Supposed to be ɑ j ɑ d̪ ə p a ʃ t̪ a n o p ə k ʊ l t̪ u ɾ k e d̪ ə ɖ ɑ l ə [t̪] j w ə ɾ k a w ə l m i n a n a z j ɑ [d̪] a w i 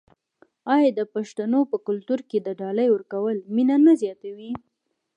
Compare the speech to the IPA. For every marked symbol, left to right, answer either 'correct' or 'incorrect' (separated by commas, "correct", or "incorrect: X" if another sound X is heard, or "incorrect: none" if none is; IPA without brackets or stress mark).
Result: incorrect: none, incorrect: t̪